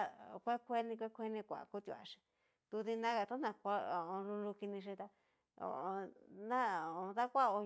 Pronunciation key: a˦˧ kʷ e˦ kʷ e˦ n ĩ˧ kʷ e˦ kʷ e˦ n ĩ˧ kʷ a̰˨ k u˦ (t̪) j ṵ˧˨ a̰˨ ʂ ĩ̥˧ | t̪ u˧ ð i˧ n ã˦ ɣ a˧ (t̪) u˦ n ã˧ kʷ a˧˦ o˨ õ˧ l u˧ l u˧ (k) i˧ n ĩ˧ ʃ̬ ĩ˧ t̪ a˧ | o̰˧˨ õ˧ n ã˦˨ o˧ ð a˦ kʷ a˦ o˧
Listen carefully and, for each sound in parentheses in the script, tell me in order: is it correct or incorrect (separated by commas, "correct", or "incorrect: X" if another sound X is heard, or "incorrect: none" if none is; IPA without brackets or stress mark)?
correct, correct, correct